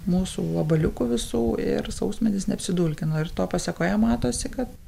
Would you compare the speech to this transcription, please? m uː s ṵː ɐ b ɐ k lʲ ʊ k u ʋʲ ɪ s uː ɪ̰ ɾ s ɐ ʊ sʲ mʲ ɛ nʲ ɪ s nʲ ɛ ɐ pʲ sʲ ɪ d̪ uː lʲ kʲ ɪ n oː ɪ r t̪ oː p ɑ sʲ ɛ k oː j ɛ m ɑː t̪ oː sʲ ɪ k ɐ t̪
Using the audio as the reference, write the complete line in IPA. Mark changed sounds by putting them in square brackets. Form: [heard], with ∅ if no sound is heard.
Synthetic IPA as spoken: m uː s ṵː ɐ b ɐ [∅] lʲ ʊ k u ʋʲ ɪ s uː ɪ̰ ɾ s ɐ ʊ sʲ mʲ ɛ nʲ ɪ s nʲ ɛ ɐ pʲ sʲ ɪ d̪ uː lʲ kʲ ɪ n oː ɪ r t̪ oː p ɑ sʲ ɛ k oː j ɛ m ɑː t̪ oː sʲ ɪ k ɐ t̪